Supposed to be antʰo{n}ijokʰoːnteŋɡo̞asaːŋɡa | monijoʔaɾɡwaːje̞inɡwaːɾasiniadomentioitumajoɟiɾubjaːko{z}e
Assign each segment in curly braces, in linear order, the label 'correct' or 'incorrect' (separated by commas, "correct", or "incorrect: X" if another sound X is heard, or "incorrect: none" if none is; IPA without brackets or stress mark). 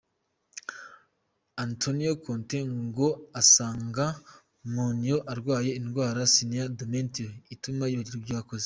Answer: correct, correct